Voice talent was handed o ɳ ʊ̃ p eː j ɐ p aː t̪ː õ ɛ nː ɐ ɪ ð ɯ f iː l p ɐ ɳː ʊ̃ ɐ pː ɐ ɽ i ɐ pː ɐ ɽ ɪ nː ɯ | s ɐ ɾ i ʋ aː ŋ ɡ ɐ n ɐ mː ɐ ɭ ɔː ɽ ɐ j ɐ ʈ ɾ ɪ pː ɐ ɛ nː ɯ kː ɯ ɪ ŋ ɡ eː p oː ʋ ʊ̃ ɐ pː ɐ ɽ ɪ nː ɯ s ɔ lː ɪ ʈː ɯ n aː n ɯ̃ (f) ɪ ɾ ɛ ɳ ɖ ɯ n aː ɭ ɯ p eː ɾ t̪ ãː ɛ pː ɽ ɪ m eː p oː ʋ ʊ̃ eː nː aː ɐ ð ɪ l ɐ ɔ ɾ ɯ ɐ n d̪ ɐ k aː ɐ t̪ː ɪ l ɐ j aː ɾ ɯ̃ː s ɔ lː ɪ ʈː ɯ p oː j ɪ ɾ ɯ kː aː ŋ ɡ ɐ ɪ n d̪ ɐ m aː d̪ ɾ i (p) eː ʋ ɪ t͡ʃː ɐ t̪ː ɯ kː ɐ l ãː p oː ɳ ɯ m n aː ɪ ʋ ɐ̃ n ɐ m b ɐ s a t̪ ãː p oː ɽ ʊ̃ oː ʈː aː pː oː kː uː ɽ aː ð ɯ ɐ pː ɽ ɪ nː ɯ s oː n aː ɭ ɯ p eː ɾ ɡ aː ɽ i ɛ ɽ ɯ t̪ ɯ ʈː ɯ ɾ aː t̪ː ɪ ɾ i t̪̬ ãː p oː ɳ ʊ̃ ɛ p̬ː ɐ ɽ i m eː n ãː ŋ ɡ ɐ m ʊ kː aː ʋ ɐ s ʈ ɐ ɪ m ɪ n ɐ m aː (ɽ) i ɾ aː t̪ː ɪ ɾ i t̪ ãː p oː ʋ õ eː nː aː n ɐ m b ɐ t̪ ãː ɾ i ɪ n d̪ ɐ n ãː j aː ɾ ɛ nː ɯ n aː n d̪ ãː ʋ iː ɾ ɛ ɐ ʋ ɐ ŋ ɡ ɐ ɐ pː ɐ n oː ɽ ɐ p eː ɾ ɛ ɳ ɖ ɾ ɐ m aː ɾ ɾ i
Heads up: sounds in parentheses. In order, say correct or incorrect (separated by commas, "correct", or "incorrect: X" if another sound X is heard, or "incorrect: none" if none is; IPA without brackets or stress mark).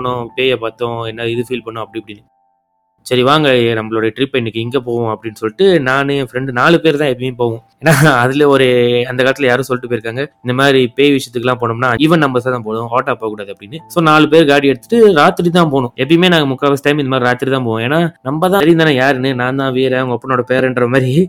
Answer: correct, correct, incorrect: ɾ